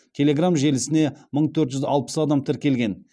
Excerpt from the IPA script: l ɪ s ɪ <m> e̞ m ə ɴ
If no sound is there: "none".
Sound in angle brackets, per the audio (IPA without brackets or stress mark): n